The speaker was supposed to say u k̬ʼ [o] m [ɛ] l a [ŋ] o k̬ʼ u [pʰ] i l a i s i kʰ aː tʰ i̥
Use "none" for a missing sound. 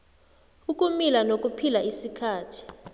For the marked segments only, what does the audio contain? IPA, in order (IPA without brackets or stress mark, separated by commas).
u, i, n, pʰ